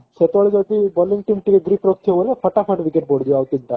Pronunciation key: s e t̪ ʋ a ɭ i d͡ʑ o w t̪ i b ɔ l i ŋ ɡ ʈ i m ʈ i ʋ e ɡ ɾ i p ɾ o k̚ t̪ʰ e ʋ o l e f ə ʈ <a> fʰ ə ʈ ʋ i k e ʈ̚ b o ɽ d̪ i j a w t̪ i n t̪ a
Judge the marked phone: correct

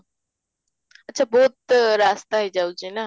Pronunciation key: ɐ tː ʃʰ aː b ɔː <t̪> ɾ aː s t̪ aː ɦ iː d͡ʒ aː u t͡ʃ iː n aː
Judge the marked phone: correct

